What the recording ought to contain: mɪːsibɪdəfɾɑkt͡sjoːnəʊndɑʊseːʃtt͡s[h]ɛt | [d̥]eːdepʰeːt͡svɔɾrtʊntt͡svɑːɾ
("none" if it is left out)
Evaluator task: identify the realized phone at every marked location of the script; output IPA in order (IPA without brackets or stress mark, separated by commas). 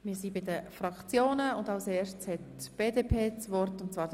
h, b̥